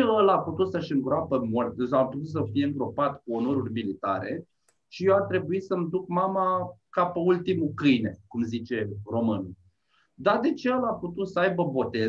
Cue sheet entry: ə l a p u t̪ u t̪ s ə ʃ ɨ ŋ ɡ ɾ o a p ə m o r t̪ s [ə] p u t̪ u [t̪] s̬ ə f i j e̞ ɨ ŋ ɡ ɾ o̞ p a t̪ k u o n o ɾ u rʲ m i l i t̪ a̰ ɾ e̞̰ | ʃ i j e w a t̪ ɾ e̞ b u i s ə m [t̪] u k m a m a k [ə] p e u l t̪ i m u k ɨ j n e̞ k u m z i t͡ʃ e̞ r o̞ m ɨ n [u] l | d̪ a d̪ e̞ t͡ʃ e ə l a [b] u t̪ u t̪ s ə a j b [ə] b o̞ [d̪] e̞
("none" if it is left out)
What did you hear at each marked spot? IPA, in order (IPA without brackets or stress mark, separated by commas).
a, t̪, d̪, a, u, p, ə, t̪